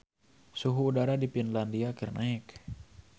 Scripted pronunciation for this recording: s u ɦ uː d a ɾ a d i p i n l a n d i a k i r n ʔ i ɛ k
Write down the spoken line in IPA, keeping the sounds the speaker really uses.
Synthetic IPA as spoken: s u ɦ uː d a ɾ a d i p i n l a n d i a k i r n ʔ a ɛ k